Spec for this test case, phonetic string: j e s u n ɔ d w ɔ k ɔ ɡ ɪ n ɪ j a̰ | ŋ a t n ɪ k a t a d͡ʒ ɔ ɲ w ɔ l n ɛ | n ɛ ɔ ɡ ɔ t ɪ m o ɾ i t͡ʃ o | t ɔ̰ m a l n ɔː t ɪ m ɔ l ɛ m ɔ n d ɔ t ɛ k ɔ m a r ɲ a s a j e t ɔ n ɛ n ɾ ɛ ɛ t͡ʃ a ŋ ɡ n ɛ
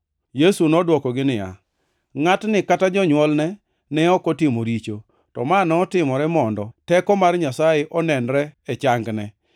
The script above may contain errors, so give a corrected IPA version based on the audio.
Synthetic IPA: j e s u n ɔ d w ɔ k ɔ ɡ ɪ n ɪ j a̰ | ŋ a t n ɪ k a t a d͡ʒ ɔ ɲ w ɔ l n ɛ | n ɛ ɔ k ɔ t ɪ m o ɾ i t͡ʃ o | t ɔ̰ m a n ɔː t ɪ m ɔ ɾ ɛ m ɔ n d ɔ t ɛ k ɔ m a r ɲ a s a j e ʔ ɔ n ɛ n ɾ ɛ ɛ t͡ʃ a ŋ ɡ n ɛ

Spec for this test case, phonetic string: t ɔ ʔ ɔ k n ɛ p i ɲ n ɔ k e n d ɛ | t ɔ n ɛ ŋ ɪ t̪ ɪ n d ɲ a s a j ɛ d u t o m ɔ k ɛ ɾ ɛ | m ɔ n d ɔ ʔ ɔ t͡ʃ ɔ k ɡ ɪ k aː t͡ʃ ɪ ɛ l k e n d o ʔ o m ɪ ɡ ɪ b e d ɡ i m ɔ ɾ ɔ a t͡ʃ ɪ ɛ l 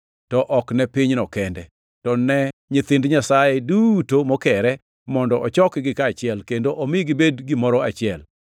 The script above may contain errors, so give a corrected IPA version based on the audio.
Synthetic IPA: t ɔ ʔ ɔ k n ɛ p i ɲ n ɔ k ɛ n d ɛ | t ɔ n ɛ ɲ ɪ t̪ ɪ n d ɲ a s a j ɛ d u t o m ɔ k ɛ ɾ ɛ | m ɔ n d ɔ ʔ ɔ t͡ʃ ɔ k ɡ ɪ k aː t͡ʃ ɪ ɛ l k e n d o ʔ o m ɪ ɡ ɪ b e d ɡ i m ɔ ɾ ɔ a t͡ʃ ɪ ɛ l

